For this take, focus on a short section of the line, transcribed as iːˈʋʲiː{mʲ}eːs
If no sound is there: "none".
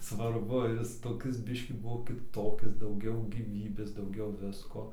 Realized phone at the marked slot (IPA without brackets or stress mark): bʲ